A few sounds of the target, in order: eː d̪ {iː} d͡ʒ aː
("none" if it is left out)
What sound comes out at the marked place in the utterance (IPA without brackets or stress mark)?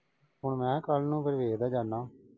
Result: aː